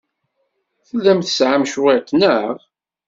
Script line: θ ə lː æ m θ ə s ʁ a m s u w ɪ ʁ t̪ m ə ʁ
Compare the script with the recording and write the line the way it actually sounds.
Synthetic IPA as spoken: θ ə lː æ m θ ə s ʕ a m ʃ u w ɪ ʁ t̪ n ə ʁ